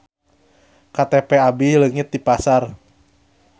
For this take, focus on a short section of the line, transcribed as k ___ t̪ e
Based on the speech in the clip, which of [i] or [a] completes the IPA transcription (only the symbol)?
a